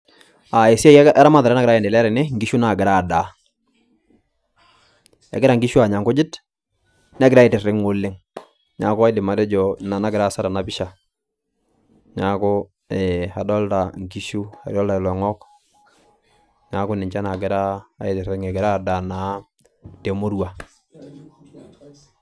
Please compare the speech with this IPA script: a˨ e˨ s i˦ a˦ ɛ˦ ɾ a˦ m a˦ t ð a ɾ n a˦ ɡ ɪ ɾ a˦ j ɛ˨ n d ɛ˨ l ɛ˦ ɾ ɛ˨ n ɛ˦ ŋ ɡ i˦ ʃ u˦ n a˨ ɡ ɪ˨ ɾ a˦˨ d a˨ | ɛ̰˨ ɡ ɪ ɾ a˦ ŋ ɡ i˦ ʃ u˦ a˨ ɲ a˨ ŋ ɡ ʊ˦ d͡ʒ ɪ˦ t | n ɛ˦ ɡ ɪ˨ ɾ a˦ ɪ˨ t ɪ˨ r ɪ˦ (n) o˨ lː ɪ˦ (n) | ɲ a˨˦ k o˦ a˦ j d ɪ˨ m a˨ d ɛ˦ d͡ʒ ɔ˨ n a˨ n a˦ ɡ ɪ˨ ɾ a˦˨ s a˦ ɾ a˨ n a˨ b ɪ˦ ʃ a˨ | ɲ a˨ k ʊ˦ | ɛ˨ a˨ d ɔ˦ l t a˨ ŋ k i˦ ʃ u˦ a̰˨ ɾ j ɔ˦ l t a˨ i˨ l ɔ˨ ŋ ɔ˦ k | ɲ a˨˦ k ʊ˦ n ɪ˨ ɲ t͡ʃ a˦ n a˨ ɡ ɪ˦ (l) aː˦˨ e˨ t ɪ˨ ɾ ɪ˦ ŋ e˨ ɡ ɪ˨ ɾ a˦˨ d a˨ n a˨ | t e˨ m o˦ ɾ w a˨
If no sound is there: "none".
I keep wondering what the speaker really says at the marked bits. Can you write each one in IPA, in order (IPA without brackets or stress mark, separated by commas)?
ŋ, ŋ, ɾ